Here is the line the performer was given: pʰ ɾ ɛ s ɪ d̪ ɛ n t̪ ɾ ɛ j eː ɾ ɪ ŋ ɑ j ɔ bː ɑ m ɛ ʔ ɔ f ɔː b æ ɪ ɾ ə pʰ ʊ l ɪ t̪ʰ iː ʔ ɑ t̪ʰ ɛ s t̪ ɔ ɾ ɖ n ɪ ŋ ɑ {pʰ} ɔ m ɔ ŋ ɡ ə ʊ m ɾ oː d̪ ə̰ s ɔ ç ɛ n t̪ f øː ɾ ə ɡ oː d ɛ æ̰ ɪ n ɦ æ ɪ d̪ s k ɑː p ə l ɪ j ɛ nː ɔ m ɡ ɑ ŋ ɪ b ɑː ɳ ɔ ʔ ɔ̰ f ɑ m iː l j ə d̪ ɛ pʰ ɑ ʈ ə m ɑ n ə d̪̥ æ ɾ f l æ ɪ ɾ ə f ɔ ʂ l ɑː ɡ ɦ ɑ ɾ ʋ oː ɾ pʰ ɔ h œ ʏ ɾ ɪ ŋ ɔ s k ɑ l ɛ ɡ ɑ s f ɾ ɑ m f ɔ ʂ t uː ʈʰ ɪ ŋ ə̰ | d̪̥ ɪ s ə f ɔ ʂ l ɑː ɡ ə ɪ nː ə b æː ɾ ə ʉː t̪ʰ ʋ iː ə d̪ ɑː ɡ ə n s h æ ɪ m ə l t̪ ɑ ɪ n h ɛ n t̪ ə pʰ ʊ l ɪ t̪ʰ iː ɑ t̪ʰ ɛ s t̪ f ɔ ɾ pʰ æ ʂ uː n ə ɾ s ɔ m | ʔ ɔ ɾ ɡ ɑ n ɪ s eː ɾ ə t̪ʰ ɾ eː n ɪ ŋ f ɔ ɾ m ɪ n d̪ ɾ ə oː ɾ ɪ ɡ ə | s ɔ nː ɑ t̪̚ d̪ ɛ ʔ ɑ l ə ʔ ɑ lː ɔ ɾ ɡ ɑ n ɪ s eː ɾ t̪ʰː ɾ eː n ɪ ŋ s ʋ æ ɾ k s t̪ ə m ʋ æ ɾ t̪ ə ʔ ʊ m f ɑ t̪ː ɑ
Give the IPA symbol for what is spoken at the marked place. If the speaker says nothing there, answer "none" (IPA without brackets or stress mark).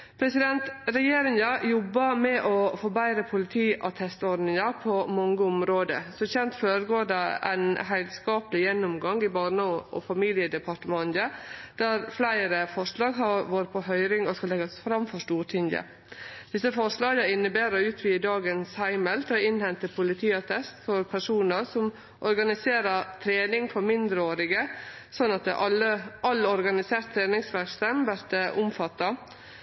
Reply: pʰ